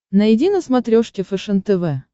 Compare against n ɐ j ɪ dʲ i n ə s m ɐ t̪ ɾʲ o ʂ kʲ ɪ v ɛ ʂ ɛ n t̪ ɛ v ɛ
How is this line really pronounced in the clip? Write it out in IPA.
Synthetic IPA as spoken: n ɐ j ɪ dʲ i n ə s m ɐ t̪ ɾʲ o ʂ kʲ ɪ f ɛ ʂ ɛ n t̪ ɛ v ɛ